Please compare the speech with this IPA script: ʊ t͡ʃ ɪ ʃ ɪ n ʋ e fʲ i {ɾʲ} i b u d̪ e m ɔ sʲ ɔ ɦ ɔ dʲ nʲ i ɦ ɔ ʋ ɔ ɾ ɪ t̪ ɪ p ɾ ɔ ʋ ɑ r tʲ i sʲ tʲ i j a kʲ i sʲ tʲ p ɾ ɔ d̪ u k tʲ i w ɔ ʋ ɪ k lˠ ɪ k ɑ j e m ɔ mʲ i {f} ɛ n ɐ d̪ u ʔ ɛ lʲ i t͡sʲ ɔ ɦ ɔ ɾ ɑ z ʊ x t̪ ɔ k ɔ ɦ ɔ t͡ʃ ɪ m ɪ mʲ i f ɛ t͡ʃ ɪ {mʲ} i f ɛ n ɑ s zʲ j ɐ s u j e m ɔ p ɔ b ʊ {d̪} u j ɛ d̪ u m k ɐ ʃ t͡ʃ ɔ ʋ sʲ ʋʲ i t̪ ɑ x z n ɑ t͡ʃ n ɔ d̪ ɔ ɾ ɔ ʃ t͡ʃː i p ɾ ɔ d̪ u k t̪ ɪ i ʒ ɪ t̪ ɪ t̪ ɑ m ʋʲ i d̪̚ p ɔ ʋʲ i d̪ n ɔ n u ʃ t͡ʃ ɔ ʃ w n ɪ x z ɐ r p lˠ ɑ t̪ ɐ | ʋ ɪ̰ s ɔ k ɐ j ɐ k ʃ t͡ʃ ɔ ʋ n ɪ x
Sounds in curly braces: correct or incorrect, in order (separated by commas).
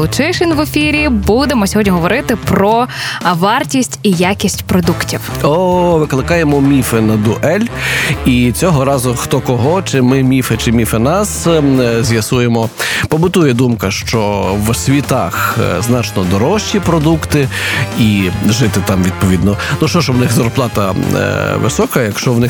correct, correct, correct, incorrect